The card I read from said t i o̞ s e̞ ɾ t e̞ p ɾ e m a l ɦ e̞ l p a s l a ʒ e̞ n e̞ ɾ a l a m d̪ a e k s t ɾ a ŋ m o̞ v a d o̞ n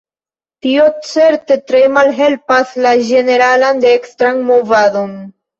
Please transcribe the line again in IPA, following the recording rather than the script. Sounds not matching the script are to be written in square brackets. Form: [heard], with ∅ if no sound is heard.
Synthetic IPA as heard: t i o̞ [t͡s] e̞ ɾ t e̞ [t] ɾ e m a l ɦ e̞ l p a s l a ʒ e̞ n e̞ ɾ a l a [n] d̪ [e] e k s t ɾ a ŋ m o̞ v a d o̞ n